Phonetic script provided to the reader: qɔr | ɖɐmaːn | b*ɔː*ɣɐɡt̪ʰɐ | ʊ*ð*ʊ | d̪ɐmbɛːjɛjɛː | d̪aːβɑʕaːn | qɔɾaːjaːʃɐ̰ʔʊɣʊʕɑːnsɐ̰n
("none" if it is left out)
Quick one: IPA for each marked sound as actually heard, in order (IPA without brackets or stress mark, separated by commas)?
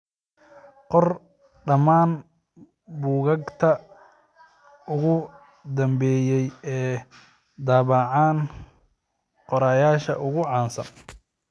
uː, ɣ